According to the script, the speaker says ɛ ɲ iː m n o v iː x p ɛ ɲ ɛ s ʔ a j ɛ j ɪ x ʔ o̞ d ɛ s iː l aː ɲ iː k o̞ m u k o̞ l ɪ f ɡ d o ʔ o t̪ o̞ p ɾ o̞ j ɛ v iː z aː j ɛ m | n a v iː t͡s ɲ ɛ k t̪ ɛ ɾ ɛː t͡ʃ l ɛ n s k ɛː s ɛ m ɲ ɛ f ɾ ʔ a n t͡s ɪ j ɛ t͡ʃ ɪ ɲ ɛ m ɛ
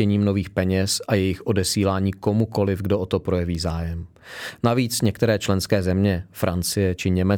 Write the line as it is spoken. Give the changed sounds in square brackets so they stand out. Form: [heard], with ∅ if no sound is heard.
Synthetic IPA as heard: ɛ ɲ iː m n o v iː x p ɛ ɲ ɛ s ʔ a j ɛ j ɪ x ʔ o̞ d ɛ s iː l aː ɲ iː k o̞ m u k o̞ l ɪ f ɡ d o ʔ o t̪ o̞ p ɾ o̞ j ɛ v iː z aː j ɛ m | n a v iː t͡s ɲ ɛ k t̪ ɛ ɾ ɛː t͡ʃ l ɛ n s k ɛː [z] ɛ m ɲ ɛ f ɾ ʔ a n t͡s ɪ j ɛ t͡ʃ ɪ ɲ ɛ m ɛ